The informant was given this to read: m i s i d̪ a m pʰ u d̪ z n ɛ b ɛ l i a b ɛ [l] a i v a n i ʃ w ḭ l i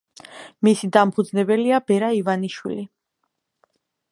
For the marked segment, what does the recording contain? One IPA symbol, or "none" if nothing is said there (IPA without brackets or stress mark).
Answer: ɾ